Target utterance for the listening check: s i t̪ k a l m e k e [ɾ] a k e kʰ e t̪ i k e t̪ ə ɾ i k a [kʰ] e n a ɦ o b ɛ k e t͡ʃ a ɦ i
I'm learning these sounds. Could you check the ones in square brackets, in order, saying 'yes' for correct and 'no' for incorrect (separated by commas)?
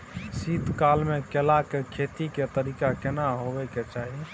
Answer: no, no